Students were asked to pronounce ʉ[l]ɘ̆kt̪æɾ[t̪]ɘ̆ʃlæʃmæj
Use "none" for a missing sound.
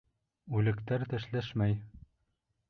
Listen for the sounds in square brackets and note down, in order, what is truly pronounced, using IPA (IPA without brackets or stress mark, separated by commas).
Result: l, t̪